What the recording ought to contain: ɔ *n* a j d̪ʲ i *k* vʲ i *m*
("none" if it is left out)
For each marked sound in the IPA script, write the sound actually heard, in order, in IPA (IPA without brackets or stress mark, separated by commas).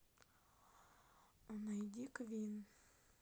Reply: n, k, n